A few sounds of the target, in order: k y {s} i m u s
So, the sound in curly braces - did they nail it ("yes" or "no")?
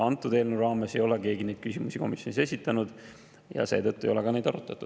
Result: yes